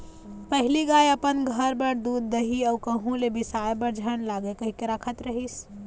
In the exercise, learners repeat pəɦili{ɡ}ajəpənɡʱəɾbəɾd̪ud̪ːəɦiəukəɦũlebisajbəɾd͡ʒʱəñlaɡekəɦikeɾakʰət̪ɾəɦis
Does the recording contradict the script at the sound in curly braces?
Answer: no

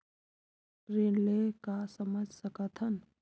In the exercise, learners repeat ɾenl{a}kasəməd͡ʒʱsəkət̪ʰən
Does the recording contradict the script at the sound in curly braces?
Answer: yes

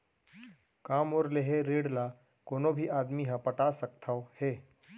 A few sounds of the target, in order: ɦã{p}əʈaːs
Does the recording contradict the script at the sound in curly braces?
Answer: no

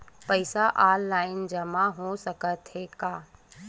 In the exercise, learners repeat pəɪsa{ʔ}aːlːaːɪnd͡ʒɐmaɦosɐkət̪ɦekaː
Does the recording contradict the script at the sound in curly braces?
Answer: no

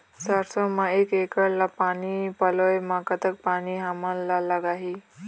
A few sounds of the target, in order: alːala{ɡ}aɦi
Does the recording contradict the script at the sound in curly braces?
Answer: no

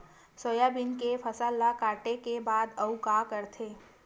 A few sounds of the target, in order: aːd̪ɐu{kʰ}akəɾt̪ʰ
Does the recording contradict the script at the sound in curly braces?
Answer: yes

